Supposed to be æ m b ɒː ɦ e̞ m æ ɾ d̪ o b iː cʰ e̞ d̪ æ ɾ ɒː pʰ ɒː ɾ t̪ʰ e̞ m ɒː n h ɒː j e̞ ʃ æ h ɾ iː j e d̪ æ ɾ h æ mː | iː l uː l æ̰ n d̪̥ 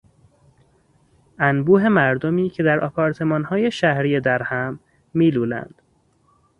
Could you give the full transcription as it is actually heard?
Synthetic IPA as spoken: æ n b uː ɦ e̞ m æ ɾ d̪ o m iː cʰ e̞ d̪ æ ɾ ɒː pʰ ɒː ɾ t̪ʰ e̞ m ɒː n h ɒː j e̞ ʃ æ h ɾ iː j e d̪ æ ɾ h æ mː | iː l uː l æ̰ n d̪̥